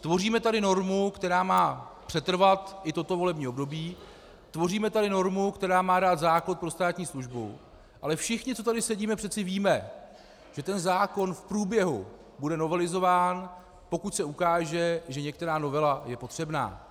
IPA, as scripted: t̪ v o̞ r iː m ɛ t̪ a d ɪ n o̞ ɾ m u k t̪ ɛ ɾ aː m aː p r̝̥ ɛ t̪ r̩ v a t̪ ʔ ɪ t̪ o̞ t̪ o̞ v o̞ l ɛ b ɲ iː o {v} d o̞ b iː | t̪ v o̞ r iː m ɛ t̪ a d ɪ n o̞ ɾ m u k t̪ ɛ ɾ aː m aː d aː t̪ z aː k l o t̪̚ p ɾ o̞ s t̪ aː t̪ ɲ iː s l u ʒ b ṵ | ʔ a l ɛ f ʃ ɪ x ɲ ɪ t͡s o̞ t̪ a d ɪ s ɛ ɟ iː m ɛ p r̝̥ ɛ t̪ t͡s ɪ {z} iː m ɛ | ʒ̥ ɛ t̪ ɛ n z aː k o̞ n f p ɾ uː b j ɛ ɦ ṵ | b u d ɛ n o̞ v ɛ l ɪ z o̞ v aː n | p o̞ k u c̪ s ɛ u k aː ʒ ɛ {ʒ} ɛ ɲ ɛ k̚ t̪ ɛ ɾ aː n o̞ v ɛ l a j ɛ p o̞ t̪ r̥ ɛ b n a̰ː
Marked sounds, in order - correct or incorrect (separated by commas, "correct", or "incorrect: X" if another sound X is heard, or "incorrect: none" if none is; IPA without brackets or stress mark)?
incorrect: b, incorrect: v, correct